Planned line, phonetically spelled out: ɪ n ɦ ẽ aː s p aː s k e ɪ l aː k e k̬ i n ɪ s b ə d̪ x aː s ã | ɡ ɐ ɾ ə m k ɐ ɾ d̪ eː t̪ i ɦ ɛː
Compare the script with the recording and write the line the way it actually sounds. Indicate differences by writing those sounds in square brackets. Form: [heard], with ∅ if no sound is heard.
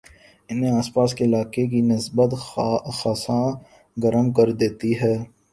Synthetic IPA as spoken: ɪ n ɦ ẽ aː s p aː s k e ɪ l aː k e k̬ i n ɪ s b ə [t̪] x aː s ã | ɡ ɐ ɾ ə m k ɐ ɾ d̪ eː t̪ i ɦ ɛː